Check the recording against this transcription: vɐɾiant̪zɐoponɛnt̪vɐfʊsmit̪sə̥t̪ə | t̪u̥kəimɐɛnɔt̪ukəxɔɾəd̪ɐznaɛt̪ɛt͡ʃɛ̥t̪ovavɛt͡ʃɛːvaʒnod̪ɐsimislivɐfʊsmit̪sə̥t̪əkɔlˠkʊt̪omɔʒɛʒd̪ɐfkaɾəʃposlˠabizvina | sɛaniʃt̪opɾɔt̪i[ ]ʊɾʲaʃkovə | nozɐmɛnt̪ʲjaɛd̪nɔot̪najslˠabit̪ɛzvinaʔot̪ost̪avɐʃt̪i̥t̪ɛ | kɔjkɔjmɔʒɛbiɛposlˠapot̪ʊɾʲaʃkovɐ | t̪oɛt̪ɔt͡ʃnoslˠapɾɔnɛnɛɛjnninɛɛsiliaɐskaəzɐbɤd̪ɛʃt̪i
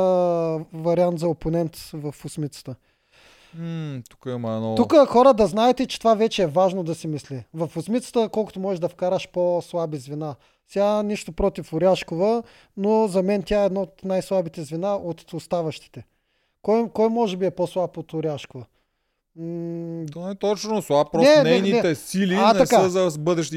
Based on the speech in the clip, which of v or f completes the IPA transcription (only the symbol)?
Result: f